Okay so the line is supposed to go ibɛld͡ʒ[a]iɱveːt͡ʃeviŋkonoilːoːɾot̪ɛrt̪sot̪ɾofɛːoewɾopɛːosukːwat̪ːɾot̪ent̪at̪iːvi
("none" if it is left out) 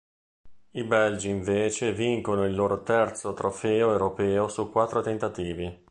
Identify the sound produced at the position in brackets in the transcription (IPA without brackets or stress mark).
i